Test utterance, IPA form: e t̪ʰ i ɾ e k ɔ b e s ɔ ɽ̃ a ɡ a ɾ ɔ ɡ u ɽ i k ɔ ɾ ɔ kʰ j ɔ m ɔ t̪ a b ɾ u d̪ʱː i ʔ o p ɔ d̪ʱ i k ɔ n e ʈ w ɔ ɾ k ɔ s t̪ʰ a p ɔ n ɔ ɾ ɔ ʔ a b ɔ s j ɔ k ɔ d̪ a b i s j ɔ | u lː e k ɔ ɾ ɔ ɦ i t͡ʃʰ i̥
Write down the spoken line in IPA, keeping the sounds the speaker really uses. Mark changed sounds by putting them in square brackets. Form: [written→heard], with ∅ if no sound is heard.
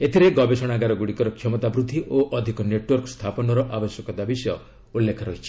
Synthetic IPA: e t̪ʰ i ɾ e [k→ɡ] ɔ b e s ɔ ɽ̃ a ɡ a ɾ ɔ ɡ u ɽ i k ɔ ɾ ɔ kʰ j ɔ m ɔ t̪ a b ɾ u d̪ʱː i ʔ o [p→ʔ] ɔ d̪ʱ i k ɔ n e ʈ w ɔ ɾ k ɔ s t̪ʰ a p ɔ n ɔ ɾ ɔ ʔ a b ɔ s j ɔ k ɔ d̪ a b i s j ɔ | u lː e [k→kʰ] ɔ ɾ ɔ ɦ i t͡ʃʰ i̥